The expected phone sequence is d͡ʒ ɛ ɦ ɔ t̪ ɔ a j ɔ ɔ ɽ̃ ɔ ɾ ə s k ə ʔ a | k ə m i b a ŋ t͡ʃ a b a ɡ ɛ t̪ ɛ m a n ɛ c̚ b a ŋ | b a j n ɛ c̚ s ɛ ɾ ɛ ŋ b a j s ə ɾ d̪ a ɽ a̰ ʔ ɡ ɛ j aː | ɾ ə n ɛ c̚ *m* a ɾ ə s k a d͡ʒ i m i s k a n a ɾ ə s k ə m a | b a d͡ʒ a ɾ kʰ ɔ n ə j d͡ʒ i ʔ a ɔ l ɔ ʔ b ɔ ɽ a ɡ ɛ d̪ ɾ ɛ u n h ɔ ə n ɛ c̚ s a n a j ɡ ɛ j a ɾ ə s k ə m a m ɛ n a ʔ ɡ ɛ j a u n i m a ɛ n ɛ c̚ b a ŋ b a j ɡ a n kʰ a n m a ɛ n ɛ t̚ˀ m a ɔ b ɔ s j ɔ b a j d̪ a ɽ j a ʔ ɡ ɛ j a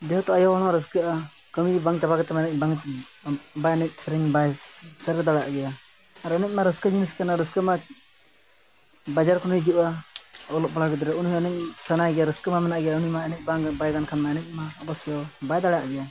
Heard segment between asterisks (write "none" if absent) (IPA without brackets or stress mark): m